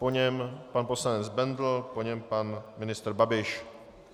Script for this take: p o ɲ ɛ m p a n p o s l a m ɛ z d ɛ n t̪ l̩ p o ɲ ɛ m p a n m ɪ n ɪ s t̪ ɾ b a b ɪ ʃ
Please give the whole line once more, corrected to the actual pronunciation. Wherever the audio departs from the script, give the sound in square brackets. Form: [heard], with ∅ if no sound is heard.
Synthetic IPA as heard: p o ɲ ɛ m p a n p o s l a [ɲ] ɛ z [b] ɛ n [d̪] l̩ p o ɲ ɛ m p a n m ɪ n ɪ s t̪ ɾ b a b ɪ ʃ